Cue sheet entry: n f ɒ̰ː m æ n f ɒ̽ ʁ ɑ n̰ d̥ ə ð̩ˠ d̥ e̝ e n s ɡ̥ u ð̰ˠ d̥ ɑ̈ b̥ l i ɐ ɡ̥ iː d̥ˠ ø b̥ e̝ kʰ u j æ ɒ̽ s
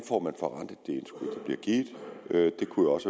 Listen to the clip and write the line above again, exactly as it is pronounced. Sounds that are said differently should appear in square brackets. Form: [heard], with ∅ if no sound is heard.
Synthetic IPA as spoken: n f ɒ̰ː m æ n f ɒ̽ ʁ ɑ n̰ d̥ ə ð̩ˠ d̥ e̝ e n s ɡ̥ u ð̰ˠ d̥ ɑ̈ b̥ l i ɐ ɡ̥ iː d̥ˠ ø [d̥] e̝ kʰ u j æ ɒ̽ s